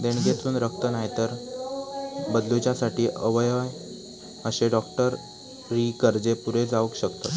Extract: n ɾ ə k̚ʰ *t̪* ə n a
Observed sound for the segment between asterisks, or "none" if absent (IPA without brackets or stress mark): t̪